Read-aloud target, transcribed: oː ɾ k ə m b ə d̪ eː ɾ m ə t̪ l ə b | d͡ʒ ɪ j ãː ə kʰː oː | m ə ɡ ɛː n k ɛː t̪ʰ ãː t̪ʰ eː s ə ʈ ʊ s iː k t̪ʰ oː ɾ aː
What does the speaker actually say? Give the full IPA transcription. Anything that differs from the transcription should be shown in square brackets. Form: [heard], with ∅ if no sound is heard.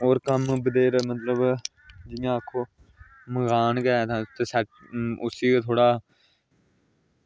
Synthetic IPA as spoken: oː ɾ k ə m b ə d̪ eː ɾ m ə t̪ l ə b | d͡ʒ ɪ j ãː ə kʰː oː | m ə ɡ [aː] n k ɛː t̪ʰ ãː [t̪] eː s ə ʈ ʊ s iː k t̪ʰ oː [ɽ] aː